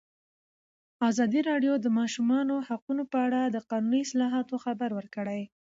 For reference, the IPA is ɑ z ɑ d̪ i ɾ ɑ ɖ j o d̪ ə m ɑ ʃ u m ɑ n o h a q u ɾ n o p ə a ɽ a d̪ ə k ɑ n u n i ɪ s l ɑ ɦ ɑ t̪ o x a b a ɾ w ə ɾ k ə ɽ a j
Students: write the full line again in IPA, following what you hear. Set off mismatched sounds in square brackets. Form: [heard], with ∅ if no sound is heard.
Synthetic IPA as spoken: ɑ z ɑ d̪ i ɾ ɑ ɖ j o d̪ ə m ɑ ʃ u m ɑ n o h a q u [∅] n o p ə a ɽ a d̪ ə [q] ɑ n u n i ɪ s l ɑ ɦ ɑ t̪ o x a b a ɾ w ə ɾ k ə ɽ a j